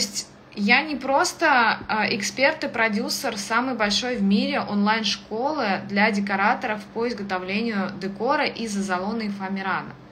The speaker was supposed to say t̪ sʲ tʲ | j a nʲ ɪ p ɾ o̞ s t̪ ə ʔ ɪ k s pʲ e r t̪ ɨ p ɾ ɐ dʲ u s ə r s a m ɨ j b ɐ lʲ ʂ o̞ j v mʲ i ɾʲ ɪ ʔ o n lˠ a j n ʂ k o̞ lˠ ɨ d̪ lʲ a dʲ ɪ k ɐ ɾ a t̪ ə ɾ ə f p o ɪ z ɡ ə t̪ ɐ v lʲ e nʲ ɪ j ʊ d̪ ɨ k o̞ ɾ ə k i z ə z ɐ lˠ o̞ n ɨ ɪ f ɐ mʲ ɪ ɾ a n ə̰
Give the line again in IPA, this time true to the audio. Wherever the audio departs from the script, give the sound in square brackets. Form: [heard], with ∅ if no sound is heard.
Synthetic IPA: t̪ sʲ tʲ | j a nʲ ɪ p ɾ o̞ s t̪ ə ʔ ɪ k s pʲ e r t̪ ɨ p ɾ ɐ dʲ u s ə r s a m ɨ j b ɐ lʲ ʂ o̞ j v mʲ i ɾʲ ɪ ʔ o n lˠ a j n ʂ k o̞ lˠ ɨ d̪ lʲ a dʲ ɪ k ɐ ɾ a t̪ ə ɾ ə f p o ɪ z ɡ ə t̪ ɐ v lʲ e nʲ ɪ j ʊ d̪ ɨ k o̞ ɾ ə [ʔ] i z ə z ɐ lˠ o̞ n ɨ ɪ f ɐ mʲ ɪ ɾ a n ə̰

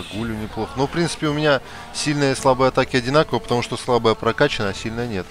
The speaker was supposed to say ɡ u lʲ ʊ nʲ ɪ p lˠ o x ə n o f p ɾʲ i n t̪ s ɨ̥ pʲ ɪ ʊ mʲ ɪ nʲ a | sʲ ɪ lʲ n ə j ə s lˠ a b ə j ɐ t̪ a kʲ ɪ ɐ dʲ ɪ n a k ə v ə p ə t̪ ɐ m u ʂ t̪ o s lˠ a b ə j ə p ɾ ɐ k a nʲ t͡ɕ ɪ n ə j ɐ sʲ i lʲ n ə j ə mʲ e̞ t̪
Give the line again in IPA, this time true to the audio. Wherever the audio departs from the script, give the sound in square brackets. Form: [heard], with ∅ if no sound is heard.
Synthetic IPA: ɡ u lʲ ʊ nʲ ɪ p lˠ o x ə n o f p ɾʲ i n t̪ s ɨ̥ pʲ ɪ ʊ mʲ ɪ nʲ a | sʲ [i] lʲ n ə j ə s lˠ a b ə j ɐ t̪ a kʲ ɪ ɐ dʲ ɪ n a k ə v ə p ə t̪ ɐ m u ʂ t̪ o s lˠ a b ə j ə p ɾ ɐ k a [∅] t͡ɕ ɪ n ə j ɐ sʲ i lʲ n ə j ə [nʲ] e̞ t̪

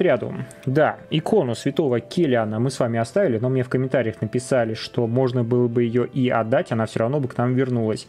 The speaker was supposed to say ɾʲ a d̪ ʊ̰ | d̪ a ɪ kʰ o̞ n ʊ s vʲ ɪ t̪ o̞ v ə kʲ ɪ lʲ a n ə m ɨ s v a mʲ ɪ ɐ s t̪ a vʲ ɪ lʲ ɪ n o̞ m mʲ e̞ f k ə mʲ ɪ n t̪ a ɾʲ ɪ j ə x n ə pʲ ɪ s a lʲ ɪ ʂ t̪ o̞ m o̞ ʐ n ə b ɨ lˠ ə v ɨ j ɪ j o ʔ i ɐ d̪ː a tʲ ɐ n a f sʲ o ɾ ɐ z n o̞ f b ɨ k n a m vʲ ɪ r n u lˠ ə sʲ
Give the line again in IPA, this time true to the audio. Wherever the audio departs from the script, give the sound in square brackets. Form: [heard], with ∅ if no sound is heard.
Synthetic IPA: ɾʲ a d̪ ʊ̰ | d̪ a ɪ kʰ o̞ n ʊ s vʲ ɪ t̪ o̞ v ə kʲ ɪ lʲ a n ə m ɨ s v a mʲ ɪ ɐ s t̪ a vʲ ɪ lʲ ɪ n o̞ m [nʲ] e̞ f k ə mʲ ɪ n t̪ a ɾʲ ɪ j ə x n ə pʲ ɪ s a lʲ ɪ ʂ t̪ o̞ m o̞ ʐ n ə b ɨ lˠ ə [b] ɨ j ɪ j o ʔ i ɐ d̪ː a tʲ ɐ n a f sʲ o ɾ ɐ [v] n o̞ [∅] b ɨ k n a m vʲ ɪ r n u lˠ ə sʲ

